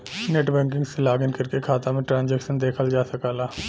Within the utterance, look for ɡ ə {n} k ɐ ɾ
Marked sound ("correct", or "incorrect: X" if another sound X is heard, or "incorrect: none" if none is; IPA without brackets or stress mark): correct